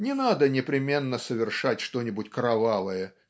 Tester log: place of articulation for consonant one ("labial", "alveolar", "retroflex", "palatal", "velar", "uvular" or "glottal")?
alveolar